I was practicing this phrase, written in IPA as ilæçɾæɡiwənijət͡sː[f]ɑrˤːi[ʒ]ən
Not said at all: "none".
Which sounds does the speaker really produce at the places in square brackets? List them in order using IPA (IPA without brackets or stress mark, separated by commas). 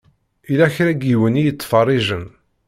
f, ʒ